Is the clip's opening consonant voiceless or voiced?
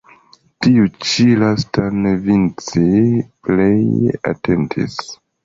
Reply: voiceless